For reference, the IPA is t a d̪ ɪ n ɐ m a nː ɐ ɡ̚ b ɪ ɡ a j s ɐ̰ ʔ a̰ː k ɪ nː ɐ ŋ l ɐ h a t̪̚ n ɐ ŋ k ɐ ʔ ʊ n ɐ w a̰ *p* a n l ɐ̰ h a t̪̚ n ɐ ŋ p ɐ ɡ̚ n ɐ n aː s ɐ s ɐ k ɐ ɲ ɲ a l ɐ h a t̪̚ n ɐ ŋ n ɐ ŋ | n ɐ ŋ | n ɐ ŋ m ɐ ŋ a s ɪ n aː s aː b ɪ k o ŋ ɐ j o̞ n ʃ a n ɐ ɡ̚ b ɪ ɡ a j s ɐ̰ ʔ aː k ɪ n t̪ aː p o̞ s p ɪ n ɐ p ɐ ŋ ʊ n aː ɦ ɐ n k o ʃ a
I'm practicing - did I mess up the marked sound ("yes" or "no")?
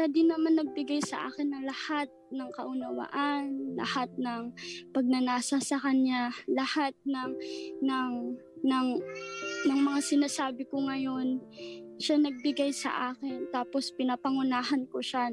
yes